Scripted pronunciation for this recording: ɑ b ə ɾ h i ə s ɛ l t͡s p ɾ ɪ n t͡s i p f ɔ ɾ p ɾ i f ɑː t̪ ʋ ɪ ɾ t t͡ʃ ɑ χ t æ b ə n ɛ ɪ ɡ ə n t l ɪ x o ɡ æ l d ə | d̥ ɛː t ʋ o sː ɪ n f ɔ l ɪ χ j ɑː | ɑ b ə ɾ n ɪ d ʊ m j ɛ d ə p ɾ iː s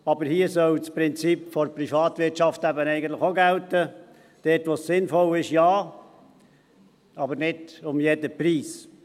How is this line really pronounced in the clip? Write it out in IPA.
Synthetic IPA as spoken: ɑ b ə ɾ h i ə s œ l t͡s p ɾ ɪ n t͡s i p f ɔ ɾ p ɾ i f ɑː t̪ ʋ ɪ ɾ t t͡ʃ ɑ f t æ b ə n ɛ ɪ ɡ ə n t l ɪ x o ɡ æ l t ə | d̥ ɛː t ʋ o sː ɪ n f ɔ l ɪ ʃ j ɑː | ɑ b ə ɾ n ɪ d ʊ m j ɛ d ə p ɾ iː s